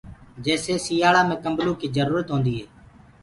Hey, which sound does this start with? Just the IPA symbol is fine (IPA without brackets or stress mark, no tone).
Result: d͡ʒ